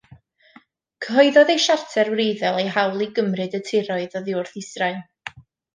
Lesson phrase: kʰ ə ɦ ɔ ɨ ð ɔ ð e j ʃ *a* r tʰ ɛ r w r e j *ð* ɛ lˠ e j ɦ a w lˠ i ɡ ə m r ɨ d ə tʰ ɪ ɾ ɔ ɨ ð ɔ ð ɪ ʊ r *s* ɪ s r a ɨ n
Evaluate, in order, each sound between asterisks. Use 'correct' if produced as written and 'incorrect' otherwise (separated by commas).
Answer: correct, correct, incorrect